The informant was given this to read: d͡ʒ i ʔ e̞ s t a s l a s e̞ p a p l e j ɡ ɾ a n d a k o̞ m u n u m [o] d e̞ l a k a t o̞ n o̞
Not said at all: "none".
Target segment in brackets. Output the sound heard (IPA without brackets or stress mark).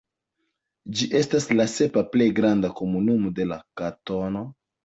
o